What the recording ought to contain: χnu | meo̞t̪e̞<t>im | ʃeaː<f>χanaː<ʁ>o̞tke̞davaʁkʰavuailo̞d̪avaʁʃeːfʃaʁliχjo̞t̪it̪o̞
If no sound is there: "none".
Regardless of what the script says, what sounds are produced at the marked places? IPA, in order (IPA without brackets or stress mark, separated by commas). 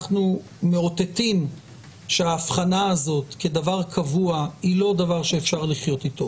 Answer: t, f, z